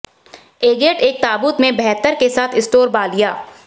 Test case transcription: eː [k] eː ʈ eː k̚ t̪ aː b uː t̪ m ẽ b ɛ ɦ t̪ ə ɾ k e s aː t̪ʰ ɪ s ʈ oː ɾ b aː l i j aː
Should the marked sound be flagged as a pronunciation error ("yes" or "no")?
yes